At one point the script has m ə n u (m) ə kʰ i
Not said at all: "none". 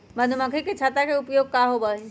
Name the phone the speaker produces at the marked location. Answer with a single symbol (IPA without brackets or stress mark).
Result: m